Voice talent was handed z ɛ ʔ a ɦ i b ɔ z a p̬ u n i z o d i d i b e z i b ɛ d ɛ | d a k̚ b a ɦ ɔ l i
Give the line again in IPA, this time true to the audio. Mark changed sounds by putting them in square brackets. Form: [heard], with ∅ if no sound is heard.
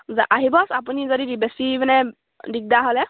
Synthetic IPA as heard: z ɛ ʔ a ɦ i b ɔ [s] a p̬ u n i z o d i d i b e [s] i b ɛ [n] ɛ | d [i] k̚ [d] a ɦ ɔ l [ɛ]